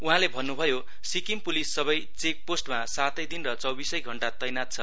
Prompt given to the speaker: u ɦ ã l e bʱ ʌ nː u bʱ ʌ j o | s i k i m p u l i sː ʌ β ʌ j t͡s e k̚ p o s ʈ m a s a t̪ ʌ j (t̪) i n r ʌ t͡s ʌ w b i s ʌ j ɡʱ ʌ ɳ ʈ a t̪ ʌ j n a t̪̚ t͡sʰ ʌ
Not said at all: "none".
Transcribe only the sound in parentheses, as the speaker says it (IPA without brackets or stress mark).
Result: d̪